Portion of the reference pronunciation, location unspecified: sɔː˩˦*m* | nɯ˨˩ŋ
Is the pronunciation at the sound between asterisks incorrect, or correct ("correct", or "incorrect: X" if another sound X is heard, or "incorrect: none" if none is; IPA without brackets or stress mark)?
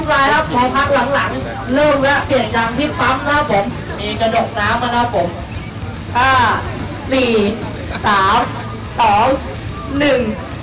incorrect: ŋ